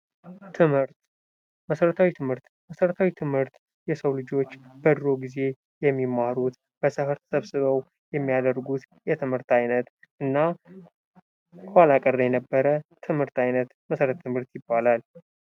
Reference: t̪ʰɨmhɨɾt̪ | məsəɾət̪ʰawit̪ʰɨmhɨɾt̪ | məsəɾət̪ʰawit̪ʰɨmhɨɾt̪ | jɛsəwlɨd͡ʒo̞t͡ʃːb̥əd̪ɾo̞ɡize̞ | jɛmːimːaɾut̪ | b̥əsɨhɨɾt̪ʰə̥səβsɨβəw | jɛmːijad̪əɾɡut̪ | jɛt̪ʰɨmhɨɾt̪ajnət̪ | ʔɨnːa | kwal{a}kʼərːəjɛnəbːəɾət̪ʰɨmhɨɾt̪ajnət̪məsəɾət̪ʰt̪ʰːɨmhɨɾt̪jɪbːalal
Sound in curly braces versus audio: correct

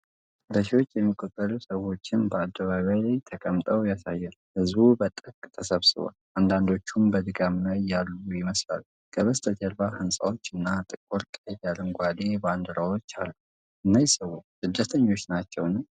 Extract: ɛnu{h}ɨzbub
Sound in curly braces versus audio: correct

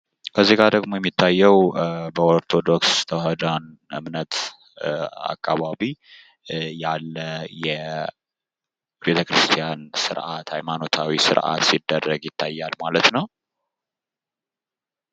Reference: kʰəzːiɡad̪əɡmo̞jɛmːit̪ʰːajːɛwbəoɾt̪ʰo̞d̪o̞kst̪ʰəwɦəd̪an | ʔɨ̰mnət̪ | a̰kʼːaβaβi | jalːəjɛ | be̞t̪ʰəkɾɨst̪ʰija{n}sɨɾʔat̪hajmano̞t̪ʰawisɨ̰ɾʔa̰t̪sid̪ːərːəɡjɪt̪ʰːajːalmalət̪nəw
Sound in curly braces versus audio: correct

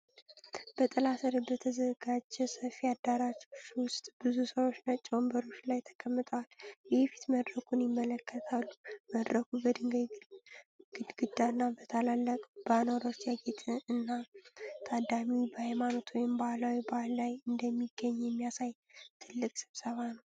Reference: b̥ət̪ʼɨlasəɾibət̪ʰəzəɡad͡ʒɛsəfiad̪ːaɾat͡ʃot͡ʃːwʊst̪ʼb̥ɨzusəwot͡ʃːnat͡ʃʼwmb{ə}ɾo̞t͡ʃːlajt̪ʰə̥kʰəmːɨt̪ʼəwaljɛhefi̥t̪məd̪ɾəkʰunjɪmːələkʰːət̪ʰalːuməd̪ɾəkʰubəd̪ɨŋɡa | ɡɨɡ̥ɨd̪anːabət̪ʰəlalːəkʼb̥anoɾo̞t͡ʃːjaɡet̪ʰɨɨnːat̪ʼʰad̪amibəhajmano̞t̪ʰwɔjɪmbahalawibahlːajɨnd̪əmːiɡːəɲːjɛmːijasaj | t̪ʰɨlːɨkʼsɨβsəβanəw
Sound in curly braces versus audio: correct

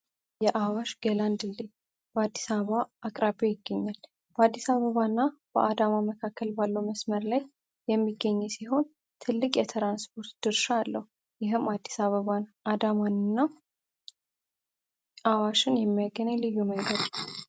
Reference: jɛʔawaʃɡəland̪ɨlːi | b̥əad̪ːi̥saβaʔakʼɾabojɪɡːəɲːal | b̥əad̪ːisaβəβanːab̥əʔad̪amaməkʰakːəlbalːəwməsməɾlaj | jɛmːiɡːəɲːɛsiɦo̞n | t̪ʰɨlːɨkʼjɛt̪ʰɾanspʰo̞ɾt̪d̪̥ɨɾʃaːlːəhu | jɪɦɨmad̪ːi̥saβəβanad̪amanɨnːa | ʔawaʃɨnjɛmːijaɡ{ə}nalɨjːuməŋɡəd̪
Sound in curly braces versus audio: correct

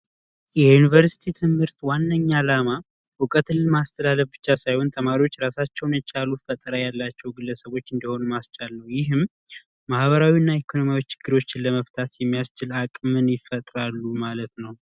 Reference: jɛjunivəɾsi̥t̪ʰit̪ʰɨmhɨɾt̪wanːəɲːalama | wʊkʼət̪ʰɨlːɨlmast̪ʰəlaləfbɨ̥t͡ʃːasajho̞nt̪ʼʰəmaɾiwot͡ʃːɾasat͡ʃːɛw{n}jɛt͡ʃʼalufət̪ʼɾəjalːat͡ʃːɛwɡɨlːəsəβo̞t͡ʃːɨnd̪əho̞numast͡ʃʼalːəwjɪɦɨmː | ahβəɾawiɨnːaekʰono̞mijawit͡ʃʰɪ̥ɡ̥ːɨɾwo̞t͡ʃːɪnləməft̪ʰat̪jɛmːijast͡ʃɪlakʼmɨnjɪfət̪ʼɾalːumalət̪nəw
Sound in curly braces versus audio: correct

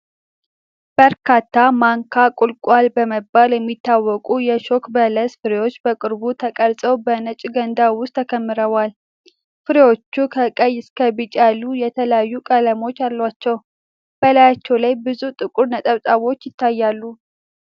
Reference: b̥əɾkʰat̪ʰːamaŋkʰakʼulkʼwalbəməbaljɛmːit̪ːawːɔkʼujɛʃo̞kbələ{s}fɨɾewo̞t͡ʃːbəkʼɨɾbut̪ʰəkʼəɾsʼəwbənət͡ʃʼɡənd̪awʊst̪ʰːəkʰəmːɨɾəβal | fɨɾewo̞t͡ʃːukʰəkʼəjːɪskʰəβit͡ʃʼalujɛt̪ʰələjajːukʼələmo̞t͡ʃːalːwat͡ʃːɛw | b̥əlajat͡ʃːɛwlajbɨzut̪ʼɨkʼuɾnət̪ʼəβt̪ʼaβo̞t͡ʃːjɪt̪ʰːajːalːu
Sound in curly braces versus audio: correct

